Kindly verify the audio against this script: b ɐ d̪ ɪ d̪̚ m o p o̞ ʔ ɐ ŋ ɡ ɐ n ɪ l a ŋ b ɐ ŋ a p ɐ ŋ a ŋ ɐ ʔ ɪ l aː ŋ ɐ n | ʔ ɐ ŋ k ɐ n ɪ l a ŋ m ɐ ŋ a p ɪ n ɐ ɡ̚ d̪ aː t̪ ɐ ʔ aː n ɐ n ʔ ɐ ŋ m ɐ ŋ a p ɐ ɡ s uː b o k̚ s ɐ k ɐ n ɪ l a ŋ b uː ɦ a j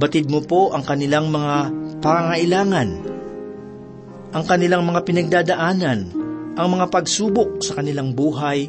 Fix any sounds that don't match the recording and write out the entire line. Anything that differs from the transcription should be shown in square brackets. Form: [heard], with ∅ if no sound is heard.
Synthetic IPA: b ɐ [t̪] ɪ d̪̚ m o p o̞ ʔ ɐ ŋ [k] ɐ n ɪ l a ŋ [m] ɐ ŋ a p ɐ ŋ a ŋ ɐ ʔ ɪ l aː ŋ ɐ n | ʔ ɐ ŋ k ɐ n ɪ l a ŋ m ɐ ŋ a p ɪ n ɐ ɡ̚ d̪ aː [d̪] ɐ ʔ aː n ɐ n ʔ ɐ ŋ m ɐ ŋ a p ɐ ɡ s uː b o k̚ s ɐ k ɐ n ɪ l a ŋ b uː ɦ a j